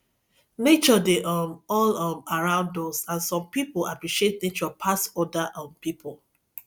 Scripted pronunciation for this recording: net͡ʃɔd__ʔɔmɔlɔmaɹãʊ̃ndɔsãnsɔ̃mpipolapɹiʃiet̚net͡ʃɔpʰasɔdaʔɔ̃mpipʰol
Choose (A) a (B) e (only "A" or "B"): B